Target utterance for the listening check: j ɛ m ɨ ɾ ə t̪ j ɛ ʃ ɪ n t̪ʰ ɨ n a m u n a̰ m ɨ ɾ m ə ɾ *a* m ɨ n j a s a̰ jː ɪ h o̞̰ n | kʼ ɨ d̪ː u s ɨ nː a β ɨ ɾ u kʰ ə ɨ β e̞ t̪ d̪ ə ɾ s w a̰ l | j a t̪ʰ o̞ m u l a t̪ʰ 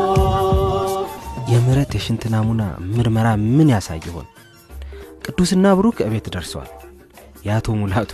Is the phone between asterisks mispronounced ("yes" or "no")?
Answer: no